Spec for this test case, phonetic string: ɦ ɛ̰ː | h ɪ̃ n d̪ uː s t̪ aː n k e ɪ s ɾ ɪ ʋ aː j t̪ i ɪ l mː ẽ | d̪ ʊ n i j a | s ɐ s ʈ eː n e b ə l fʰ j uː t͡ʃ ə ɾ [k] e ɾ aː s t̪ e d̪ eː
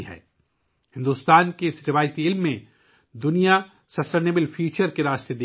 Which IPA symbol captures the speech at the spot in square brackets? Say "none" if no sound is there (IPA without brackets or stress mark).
k